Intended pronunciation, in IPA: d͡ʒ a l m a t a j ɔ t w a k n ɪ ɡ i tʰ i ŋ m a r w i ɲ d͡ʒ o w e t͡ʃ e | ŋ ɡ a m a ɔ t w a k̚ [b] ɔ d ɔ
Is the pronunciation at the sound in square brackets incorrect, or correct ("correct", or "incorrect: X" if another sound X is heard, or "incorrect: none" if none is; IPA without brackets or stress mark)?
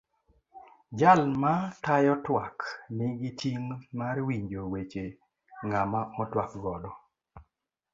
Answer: incorrect: ɡ